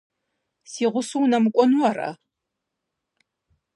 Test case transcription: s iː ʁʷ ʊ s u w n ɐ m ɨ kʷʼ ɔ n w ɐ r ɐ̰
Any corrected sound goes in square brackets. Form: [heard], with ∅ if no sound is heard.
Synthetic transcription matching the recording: s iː ʁʷ ʊ s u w n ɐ m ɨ kʷʼ ɔ n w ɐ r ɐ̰